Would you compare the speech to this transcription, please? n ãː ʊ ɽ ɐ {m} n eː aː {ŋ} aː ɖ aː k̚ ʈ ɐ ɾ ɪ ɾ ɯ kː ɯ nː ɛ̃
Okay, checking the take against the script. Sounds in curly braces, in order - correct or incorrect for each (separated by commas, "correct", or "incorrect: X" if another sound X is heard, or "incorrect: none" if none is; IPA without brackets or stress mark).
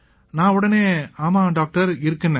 incorrect: none, incorrect: m